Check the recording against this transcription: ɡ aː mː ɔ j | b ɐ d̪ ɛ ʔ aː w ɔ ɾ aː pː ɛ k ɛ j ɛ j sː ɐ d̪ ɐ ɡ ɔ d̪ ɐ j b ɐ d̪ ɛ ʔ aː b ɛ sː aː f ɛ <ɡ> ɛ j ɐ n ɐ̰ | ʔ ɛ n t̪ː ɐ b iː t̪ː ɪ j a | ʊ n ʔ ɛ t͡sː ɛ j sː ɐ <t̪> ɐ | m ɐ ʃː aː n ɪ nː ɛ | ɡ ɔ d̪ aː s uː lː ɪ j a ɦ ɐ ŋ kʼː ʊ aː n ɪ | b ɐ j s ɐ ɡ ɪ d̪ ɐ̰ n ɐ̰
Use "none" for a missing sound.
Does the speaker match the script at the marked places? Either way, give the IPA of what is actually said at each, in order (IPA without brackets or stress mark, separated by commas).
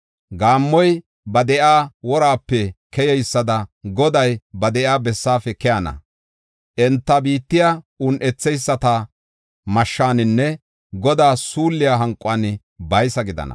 k, t̪